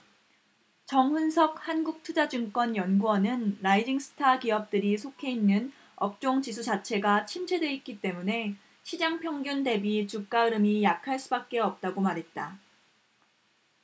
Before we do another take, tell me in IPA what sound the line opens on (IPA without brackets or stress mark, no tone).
t͡ɕ